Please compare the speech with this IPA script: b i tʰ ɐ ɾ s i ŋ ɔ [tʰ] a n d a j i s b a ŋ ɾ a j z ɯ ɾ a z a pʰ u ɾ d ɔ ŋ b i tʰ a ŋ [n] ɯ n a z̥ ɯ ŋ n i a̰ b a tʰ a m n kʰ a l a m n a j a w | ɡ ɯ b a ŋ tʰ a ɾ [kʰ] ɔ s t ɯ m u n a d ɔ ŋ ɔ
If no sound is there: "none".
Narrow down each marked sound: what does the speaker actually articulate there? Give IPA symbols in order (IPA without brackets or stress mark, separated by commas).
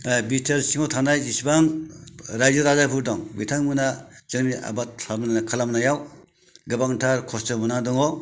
tʰ, m, kʰ